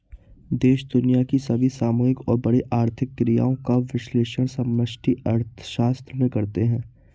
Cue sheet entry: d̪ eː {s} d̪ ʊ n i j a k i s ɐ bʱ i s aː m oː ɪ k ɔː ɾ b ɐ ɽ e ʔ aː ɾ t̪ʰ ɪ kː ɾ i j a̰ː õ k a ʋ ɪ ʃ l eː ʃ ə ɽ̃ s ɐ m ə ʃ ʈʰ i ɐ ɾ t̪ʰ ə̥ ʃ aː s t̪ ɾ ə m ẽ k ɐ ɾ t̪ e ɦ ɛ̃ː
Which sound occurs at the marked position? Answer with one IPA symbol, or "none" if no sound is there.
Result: ʃ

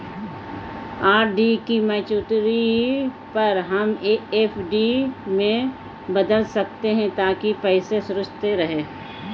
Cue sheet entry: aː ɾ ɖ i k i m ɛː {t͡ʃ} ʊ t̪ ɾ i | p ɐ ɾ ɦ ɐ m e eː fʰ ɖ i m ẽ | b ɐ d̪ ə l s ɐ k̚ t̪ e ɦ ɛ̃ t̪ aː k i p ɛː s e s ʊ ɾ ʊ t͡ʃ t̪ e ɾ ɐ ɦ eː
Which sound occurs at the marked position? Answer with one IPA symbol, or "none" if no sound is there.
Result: t͡ʃ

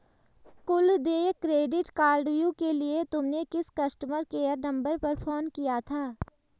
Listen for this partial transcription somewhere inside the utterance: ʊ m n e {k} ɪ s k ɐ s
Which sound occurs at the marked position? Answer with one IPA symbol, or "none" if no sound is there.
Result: k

